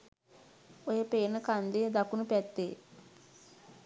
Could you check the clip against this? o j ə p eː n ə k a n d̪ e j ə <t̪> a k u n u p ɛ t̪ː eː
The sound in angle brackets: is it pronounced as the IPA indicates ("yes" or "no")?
no